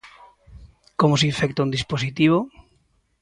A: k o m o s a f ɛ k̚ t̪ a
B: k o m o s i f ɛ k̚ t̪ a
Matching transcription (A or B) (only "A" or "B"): B